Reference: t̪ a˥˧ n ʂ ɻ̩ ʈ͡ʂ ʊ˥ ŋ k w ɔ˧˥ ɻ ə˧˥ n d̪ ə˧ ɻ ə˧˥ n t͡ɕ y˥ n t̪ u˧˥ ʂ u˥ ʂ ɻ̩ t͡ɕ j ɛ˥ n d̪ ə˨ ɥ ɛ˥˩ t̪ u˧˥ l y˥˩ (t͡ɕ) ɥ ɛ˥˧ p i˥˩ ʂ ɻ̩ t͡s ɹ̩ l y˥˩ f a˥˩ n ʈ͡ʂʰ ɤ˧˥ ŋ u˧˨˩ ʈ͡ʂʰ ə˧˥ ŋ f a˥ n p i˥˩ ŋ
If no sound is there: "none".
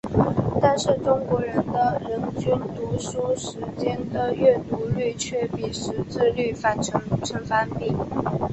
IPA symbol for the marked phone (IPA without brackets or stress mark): t͡ɕʰ